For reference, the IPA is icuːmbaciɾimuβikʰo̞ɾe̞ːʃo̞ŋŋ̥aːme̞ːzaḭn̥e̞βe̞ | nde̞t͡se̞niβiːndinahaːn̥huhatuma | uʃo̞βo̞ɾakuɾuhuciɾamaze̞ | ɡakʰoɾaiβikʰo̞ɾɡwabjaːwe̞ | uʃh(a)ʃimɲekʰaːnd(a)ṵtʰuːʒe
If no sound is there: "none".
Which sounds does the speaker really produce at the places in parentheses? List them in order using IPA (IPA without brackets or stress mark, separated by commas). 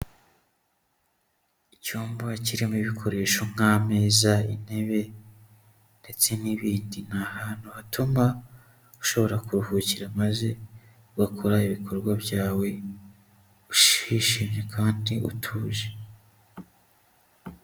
i, i